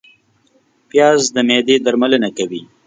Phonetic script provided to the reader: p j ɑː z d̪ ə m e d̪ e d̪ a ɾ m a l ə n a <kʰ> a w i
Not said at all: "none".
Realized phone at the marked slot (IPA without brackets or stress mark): k